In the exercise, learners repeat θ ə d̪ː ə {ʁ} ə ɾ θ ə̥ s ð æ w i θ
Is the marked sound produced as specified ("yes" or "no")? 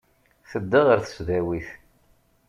yes